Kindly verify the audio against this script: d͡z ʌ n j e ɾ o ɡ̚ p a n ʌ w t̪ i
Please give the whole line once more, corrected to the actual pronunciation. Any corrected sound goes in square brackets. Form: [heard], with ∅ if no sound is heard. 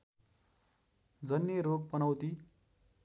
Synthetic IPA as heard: d͡z ʌ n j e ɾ o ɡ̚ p [ʌ] n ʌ w t̪ i